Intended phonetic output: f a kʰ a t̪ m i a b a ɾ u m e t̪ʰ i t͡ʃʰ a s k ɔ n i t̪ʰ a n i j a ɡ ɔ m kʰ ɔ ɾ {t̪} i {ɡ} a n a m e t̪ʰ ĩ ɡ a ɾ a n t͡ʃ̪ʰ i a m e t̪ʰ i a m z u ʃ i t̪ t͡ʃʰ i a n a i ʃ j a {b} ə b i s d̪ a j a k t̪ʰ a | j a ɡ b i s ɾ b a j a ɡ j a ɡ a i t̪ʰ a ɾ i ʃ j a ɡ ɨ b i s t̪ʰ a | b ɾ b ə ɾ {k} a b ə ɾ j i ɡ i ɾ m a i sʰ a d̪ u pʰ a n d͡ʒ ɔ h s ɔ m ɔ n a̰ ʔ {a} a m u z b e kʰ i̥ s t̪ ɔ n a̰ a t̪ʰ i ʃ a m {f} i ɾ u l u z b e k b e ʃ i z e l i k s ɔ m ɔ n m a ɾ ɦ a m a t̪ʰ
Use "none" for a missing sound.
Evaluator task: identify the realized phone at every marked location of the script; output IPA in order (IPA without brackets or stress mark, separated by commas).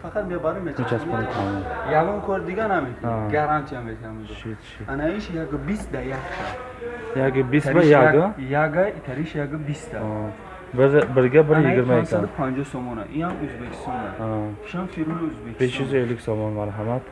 d̪, ɡ, ɡ, ɡ, i, f